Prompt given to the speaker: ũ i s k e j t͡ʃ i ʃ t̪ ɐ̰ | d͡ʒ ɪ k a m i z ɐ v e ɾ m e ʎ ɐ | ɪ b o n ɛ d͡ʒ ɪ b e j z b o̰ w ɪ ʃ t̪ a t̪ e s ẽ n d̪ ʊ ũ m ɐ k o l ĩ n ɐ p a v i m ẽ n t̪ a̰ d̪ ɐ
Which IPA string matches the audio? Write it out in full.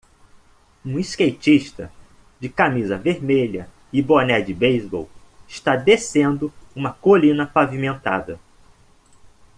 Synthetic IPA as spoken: ũ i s k e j t͡ʃ i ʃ t̪ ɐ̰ | d͡ʒ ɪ k a m i z ɐ v e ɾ m e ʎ ɐ | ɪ b o n ɛ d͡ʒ ɪ b e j z b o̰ w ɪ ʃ t̪ a d̪ e s ẽ n d̪ ʊ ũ m ɐ k o l ĩ n ɐ p a v i m ẽ n t̪ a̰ d̪ ɐ